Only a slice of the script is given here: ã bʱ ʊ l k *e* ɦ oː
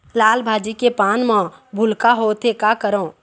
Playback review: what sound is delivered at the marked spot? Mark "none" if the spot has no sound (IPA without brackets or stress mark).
a